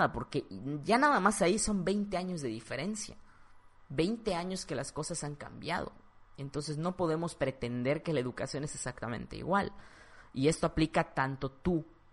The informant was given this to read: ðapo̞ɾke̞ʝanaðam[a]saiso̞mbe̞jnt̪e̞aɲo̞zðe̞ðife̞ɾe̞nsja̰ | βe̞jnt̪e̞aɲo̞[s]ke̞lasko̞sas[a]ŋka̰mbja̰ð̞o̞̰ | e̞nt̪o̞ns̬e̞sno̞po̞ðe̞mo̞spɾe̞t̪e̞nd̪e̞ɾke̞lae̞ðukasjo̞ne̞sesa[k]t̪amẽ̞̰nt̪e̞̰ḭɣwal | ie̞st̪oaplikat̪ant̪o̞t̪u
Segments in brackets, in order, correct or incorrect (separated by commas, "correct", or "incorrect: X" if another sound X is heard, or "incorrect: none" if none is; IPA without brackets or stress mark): correct, correct, correct, correct